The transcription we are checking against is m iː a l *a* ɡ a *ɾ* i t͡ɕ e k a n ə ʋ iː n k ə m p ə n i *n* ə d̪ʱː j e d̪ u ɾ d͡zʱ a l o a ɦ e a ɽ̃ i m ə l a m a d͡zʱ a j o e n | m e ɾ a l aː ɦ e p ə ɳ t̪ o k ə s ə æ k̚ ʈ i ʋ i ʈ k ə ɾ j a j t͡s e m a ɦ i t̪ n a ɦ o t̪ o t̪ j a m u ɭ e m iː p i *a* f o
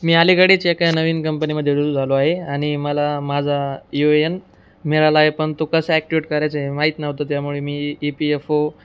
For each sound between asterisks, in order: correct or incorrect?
incorrect: i, incorrect: ɽ, incorrect: m, incorrect: e

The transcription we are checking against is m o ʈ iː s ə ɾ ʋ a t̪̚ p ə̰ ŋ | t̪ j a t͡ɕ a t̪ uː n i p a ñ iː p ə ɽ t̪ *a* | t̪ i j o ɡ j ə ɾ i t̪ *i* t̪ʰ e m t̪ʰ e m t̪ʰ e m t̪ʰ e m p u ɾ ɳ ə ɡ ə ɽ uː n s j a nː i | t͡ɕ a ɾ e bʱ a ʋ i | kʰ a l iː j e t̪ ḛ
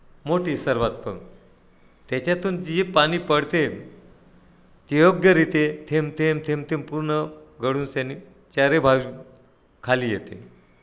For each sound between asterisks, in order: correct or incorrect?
incorrect: e, incorrect: e

